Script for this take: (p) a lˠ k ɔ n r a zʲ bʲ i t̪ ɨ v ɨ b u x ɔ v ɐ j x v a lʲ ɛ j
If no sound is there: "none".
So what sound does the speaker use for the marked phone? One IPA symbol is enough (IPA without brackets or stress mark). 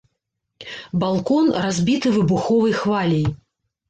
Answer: b